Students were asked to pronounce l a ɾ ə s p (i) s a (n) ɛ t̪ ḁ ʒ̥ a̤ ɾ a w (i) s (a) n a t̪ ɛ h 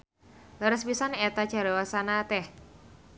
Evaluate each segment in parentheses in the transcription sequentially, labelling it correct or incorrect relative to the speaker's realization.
correct, correct, incorrect: a, correct

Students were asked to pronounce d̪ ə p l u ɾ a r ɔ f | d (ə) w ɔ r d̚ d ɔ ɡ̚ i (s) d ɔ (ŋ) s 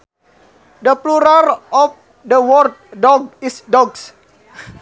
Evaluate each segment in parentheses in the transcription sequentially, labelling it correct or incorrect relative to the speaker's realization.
correct, correct, incorrect: ɡ

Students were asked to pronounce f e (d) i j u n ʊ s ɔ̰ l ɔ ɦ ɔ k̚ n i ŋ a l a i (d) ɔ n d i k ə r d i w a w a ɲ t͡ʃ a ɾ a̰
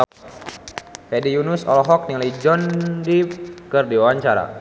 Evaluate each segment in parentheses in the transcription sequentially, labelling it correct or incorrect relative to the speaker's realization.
correct, incorrect: d͡ʒ

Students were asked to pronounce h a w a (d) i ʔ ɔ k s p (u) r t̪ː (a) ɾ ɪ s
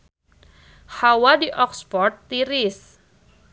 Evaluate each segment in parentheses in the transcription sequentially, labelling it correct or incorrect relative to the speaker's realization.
correct, incorrect: ɔ, incorrect: i

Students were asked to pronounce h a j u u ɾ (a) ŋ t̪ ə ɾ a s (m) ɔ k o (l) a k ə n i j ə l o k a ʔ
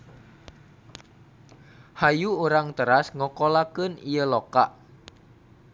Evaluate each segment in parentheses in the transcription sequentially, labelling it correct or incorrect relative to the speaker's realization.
correct, incorrect: ŋ, correct

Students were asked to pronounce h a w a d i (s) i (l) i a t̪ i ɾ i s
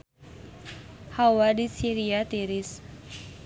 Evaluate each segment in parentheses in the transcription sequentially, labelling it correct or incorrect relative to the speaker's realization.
correct, incorrect: ɾ

